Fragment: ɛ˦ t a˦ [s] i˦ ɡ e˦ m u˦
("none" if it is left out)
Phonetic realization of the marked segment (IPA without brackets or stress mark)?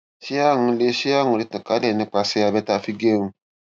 f